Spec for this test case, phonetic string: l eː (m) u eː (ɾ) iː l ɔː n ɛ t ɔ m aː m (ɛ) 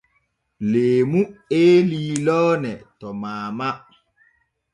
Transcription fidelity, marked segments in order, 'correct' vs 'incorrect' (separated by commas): correct, incorrect, incorrect